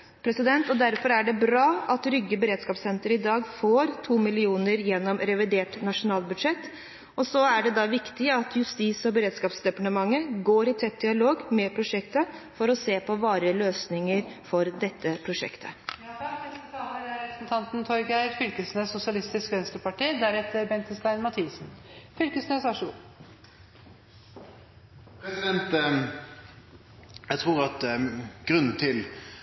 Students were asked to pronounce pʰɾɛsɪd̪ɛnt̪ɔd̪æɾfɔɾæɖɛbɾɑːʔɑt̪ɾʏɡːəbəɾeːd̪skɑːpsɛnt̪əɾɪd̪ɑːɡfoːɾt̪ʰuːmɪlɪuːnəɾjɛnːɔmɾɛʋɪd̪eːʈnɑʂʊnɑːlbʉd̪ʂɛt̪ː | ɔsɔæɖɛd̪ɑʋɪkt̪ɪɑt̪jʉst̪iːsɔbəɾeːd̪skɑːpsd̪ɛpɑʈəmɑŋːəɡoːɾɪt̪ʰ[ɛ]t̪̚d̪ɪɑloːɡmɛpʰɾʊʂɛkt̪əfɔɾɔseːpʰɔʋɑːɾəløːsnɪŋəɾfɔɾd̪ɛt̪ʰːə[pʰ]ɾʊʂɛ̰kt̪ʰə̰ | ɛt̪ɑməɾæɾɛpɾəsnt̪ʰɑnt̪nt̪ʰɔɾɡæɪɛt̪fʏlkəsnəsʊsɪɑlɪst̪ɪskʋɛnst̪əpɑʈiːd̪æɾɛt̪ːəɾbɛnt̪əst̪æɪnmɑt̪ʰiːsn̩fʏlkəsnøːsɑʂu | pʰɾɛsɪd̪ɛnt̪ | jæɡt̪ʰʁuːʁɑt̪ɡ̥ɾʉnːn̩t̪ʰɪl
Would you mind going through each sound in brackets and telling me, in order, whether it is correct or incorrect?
correct, correct

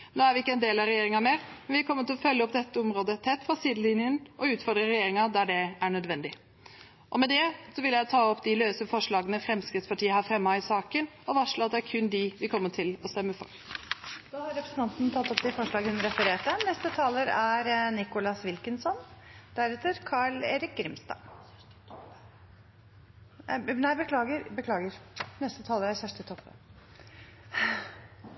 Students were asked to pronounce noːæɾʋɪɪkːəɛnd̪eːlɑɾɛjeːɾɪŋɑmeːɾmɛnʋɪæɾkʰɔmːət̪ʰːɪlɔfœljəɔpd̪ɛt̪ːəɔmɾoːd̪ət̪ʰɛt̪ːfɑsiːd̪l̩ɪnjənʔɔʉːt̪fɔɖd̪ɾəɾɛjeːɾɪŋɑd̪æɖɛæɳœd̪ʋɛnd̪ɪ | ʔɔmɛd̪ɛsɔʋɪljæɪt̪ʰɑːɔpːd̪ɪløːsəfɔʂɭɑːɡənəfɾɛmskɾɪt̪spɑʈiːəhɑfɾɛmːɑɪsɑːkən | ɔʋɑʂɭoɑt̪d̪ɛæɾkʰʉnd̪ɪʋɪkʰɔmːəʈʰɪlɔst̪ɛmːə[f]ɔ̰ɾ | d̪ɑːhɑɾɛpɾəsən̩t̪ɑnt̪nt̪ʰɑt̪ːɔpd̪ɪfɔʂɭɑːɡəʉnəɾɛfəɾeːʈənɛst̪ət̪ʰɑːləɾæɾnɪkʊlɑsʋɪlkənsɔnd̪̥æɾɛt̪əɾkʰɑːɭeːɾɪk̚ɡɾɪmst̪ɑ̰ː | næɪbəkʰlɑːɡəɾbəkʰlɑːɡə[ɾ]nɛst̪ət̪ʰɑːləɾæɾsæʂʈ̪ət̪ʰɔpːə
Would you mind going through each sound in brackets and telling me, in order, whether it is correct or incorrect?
correct, correct

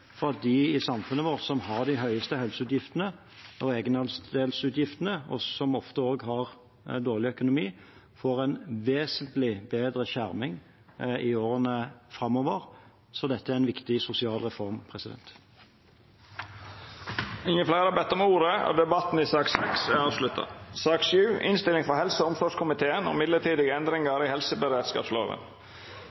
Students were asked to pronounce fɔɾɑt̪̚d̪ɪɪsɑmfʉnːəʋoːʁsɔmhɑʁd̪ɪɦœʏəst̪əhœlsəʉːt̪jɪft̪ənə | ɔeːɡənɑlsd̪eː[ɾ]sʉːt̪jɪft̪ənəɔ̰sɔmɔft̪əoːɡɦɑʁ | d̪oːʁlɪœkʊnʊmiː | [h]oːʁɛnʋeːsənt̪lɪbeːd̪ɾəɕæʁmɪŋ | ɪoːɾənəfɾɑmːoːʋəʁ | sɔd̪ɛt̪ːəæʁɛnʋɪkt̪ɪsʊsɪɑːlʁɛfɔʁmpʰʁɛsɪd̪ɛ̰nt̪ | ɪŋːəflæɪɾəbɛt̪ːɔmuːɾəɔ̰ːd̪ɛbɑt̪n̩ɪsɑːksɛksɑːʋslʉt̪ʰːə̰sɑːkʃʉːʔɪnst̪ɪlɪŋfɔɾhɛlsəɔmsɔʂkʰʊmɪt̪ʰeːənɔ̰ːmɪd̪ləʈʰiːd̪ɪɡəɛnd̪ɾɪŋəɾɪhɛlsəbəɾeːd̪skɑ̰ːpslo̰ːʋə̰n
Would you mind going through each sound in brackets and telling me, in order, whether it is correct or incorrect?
incorrect, incorrect

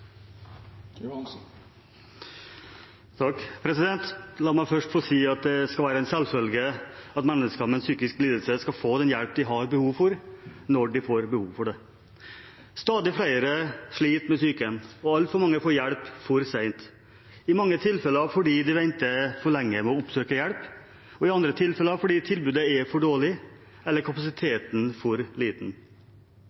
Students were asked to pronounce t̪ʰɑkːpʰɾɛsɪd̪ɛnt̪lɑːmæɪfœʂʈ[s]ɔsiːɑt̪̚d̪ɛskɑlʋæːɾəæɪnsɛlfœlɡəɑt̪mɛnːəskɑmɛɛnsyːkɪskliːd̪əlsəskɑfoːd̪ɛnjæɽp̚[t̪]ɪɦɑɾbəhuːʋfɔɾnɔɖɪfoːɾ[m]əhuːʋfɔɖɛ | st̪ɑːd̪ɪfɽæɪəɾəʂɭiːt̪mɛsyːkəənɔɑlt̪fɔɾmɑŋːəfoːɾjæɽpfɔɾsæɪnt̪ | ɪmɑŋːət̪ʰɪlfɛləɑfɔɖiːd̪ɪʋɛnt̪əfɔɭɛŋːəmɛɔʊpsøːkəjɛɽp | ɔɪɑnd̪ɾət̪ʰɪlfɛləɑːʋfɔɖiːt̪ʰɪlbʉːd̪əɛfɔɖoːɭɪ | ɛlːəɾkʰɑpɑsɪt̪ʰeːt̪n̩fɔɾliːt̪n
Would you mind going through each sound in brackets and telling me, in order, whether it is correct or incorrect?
incorrect, incorrect, incorrect

